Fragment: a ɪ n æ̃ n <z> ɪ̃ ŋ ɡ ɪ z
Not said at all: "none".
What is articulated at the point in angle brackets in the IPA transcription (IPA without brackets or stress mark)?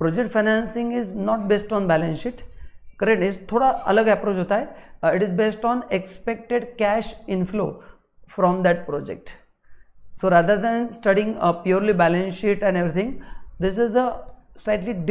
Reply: s